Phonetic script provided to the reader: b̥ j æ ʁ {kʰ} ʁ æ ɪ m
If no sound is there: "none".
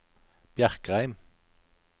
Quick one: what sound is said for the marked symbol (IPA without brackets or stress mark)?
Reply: k